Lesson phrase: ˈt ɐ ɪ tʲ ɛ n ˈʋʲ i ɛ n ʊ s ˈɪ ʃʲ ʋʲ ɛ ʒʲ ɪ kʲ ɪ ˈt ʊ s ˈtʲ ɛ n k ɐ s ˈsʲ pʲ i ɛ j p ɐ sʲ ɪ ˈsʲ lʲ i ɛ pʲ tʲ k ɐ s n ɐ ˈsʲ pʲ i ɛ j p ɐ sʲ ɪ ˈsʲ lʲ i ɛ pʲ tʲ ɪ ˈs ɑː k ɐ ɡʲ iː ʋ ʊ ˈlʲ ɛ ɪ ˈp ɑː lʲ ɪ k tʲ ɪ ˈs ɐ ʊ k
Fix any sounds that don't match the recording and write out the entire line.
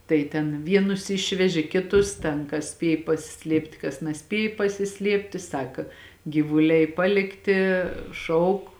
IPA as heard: ˈt ɐ ɪ tʲ ɛ n ˈʋʲ i ɛ n ʊ s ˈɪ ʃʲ ʋʲ ɛ ʒʲ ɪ kʲ ɪ ˈt ʊ s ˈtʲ ɛ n k ɐ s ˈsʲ pʲ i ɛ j p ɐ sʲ ɪ ˈsʲ lʲ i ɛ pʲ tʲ k ɐ s n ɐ ˈsʲ pʲ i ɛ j p ɐ sʲ ɪ ˈsʲ lʲ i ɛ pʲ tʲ ɪ ˈs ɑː k ɐ ɡʲ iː ʋ ʊ ˈlʲ ɛ ɪ ˈp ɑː lʲ ɪ k tʲ ɪ ˈʃ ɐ ʊ k